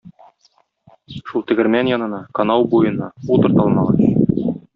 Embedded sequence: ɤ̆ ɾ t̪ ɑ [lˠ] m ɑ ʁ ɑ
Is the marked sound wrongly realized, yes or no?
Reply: no